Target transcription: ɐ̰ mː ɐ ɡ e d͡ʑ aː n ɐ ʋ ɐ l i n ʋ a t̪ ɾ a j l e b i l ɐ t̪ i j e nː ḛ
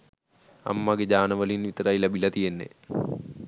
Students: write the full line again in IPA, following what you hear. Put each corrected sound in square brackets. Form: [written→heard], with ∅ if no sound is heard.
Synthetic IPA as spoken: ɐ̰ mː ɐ ɡ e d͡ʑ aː n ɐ ʋ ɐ l i n ʋ [a→i] t̪ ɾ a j l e b i l ɐ t̪ i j e nː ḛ